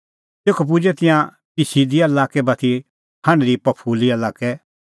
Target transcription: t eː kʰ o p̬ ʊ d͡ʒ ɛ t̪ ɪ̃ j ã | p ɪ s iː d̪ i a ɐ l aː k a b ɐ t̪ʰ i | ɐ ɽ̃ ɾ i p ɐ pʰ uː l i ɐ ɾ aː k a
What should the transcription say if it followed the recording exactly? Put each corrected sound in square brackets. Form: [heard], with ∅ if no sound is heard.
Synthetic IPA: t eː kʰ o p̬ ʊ d͡ʒ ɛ t̪ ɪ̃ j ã | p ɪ s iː d̪ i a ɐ l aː k [ɛ] b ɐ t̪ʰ i | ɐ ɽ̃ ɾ i p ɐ pʰ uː l i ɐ [l] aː k [ɛ]